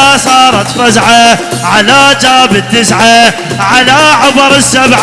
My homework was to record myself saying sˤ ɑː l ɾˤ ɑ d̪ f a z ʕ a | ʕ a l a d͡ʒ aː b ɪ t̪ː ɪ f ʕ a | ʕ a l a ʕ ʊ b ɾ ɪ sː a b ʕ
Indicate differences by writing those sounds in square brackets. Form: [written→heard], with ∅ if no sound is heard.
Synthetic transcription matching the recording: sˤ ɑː [l→∅] ɾˤ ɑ [d̪→t̪] f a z ʕ a | ʕ a l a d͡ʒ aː b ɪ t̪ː ɪ [f→s] ʕ a | ʕ a l a ʕ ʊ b ɾ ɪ sː a b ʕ